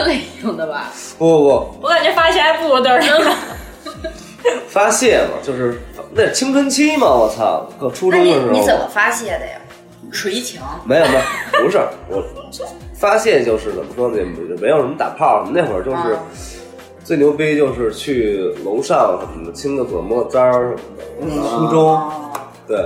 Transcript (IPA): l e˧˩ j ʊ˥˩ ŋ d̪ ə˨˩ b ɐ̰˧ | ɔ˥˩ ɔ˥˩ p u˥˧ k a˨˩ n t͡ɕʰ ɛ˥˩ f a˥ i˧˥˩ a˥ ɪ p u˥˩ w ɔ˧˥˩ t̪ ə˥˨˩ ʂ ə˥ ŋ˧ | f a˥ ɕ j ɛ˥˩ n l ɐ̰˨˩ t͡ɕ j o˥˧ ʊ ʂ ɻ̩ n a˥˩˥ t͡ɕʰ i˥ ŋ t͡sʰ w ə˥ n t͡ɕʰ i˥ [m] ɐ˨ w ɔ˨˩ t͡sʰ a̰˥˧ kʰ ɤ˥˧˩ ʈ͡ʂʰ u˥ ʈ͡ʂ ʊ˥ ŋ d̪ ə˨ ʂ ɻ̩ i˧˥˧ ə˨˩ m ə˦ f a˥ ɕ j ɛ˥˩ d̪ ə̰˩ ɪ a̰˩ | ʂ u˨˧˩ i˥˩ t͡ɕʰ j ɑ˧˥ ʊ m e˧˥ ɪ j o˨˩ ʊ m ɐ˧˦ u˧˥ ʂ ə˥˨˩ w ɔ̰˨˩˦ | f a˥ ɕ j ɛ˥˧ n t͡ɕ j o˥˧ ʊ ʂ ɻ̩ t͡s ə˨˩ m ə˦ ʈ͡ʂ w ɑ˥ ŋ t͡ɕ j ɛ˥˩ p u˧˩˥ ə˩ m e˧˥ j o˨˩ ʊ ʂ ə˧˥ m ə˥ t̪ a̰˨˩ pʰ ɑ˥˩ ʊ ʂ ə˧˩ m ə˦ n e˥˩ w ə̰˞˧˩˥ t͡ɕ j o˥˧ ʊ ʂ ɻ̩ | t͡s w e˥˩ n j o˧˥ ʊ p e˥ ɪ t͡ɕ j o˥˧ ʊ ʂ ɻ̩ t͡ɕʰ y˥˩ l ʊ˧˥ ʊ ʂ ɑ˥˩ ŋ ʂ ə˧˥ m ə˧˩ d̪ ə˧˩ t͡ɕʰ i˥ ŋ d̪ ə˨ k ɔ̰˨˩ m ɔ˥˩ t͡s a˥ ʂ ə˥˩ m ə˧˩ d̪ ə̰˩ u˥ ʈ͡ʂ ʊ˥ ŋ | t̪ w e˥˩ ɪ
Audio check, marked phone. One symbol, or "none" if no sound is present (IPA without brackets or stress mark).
m